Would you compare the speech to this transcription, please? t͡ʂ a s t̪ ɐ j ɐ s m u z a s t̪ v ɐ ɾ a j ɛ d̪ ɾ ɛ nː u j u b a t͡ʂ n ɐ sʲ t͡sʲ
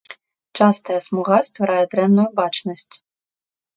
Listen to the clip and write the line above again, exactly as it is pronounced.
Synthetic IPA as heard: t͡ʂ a s t̪ ɐ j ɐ s m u ɣ a s t̪ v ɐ ɾ a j ɛ d̪ ɾ ɛ nː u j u b a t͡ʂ n ɐ sʲ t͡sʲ